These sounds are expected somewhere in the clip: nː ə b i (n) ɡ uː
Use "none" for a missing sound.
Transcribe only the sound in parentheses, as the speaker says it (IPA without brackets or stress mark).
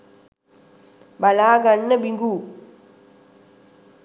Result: ŋ